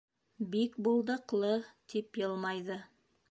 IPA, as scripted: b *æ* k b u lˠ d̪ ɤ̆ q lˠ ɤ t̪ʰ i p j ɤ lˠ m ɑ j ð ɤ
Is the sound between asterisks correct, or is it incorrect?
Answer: incorrect